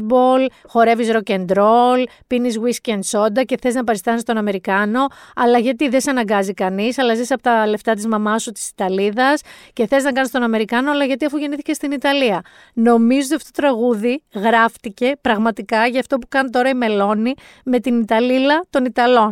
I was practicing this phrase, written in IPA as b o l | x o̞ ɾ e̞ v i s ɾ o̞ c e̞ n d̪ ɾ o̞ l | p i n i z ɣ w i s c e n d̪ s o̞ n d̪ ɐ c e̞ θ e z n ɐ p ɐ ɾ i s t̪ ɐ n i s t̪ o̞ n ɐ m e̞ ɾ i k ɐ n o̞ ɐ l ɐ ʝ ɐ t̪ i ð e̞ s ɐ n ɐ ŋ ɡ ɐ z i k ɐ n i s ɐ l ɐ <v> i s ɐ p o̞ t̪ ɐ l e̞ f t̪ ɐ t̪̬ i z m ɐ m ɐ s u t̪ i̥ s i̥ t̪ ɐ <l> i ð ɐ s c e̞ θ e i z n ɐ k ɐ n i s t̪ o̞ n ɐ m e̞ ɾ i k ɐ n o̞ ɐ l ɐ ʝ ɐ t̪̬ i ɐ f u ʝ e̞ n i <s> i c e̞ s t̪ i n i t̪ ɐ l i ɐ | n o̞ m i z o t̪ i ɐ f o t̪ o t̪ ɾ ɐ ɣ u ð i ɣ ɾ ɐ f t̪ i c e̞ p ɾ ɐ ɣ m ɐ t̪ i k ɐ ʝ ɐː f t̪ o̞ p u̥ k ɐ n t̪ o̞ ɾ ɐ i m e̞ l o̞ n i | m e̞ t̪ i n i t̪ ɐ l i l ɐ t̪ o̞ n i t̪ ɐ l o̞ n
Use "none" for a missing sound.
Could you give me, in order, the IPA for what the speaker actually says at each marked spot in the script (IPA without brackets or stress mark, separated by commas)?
z, l, θ